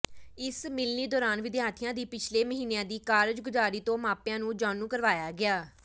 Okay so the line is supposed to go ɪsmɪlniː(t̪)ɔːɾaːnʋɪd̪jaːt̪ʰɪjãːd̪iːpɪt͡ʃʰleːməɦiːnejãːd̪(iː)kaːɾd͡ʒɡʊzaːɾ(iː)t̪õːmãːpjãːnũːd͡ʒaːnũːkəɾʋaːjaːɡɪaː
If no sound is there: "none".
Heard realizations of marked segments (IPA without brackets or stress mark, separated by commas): d̪, iː, iː